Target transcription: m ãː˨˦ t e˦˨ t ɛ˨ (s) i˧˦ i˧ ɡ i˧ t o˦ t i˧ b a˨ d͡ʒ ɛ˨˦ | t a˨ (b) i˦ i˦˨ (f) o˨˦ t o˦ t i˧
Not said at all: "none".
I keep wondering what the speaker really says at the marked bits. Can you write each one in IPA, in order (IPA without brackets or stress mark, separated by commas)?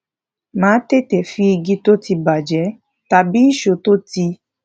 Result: f, b, ʃ